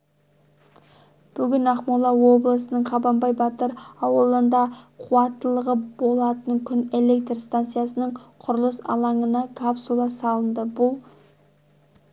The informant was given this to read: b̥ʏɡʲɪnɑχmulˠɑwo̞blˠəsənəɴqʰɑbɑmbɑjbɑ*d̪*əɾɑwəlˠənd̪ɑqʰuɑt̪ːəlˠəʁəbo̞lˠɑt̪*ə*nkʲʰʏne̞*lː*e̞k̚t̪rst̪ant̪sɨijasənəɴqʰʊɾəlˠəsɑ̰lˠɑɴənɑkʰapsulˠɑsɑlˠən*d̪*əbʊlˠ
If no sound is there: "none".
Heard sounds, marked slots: t̪, ə, l, d̪

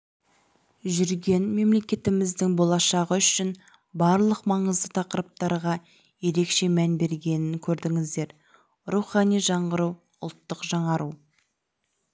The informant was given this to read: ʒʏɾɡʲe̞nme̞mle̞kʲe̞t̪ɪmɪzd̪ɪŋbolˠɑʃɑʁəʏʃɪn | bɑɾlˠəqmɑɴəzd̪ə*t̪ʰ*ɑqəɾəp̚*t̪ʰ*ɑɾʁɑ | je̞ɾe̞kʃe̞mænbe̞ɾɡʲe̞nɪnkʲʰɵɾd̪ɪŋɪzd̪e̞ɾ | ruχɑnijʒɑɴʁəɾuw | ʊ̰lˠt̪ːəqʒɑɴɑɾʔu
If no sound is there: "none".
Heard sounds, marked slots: t̪ʰ, t̪

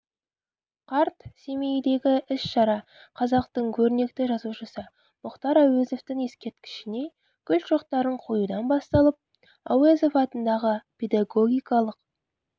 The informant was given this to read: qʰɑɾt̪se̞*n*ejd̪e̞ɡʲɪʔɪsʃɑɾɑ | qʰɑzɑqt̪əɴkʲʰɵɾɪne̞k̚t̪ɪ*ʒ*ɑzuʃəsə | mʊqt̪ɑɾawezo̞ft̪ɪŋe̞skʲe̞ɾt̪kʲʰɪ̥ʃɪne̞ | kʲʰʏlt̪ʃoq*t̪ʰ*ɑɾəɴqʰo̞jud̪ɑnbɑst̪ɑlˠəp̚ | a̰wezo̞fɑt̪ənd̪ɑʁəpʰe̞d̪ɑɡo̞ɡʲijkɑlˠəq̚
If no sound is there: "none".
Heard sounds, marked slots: m, ʒ, t̪

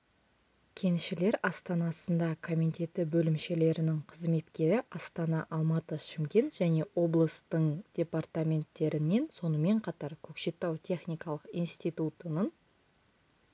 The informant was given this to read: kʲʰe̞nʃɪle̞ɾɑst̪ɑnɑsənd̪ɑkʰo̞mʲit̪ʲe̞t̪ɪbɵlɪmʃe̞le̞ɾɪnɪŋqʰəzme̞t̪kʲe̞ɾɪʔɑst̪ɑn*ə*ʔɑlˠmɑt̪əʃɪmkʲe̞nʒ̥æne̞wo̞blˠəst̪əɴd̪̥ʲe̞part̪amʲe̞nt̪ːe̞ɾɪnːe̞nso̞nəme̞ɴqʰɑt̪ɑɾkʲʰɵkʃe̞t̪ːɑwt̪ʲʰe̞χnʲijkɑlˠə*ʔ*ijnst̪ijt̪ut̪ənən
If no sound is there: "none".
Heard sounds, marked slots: ɑ, q

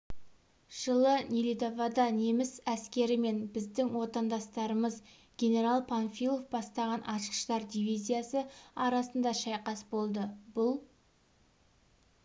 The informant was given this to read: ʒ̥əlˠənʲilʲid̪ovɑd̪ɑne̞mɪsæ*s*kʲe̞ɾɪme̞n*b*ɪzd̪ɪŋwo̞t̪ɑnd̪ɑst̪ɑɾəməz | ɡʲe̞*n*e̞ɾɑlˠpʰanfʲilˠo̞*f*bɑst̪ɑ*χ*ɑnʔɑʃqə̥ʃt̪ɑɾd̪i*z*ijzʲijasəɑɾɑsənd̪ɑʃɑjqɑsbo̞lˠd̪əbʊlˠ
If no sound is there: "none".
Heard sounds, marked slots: s, b, n, f, ʁ, v

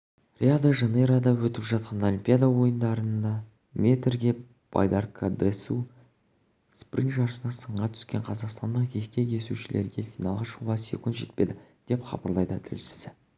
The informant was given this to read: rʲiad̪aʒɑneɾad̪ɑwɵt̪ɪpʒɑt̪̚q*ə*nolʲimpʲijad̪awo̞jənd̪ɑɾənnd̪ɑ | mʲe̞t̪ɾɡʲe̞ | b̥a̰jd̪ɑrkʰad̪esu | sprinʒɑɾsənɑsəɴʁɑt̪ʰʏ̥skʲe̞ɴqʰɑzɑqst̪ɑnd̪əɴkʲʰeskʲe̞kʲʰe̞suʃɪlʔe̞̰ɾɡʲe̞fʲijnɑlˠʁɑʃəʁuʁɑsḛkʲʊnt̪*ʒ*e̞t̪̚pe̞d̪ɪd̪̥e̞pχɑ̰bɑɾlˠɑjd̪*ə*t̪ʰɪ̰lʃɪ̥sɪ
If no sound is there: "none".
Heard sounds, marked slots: ɑ, ʒ, ə

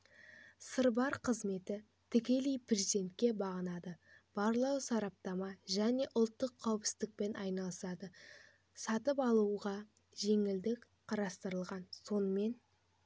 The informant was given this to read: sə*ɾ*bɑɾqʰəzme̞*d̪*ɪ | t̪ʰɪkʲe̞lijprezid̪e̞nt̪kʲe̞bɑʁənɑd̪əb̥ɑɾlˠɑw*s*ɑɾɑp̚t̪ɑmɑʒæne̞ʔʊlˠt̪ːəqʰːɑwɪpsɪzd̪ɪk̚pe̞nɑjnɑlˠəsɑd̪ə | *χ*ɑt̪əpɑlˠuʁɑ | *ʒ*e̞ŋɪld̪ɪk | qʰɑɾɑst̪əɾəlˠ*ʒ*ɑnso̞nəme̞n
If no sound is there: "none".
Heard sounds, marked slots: ɾ, t̪, s, s, ʒ, ʁ

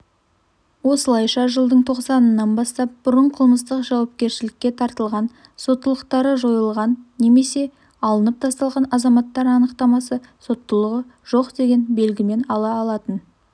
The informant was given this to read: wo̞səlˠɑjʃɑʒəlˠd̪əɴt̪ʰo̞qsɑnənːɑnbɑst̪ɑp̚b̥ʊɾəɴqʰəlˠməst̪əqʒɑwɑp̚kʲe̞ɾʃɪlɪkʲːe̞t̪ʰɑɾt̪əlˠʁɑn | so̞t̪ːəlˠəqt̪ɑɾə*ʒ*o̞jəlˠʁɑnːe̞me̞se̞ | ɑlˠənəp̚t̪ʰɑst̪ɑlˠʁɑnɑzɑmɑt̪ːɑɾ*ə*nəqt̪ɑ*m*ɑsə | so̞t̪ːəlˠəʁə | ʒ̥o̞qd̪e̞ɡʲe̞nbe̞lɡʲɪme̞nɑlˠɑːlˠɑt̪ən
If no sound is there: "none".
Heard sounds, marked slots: ʒ, ɑ, m

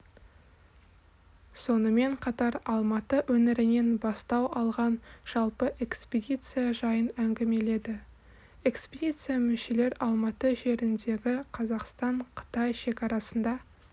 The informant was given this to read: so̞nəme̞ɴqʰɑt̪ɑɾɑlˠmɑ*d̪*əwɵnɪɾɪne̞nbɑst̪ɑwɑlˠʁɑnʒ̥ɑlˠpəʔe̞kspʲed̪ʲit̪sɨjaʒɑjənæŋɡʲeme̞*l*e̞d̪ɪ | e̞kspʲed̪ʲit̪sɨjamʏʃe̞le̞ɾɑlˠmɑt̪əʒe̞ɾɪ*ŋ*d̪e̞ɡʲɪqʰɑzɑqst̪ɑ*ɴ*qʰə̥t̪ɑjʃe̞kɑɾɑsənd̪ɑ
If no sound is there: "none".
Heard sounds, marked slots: t̪, l, n, ɴ

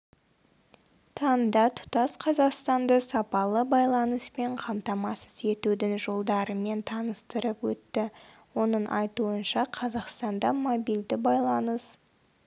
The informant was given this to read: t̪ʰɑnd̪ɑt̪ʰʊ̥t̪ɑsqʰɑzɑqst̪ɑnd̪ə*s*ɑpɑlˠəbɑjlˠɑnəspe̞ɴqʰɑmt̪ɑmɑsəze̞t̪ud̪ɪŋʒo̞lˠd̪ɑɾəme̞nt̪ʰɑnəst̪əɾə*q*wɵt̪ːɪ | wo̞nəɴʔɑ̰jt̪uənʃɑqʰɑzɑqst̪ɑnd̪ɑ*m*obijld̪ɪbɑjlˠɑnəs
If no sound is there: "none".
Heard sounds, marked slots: s, p, m

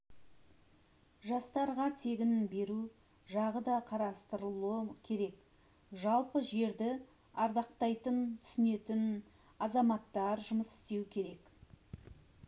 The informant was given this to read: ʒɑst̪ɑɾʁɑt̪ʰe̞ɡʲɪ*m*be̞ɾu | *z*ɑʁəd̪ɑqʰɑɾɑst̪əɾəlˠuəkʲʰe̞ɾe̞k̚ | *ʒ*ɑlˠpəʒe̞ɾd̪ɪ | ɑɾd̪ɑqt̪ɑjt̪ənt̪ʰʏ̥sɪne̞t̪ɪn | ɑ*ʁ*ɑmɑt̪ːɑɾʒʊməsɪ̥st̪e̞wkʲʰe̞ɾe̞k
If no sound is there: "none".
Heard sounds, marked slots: n, ʒ, ʒ, z

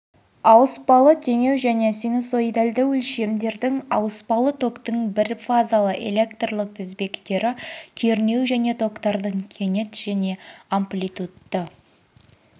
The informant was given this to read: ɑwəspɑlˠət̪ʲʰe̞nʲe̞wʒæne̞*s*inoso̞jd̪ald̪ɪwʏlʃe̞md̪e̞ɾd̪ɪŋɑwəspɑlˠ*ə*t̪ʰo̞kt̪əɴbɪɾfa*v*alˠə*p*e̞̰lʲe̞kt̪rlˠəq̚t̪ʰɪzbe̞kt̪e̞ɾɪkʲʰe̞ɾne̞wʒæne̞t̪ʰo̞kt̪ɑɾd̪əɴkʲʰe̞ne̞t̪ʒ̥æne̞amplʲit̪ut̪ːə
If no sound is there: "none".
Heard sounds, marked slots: s, ə, z, ʔ

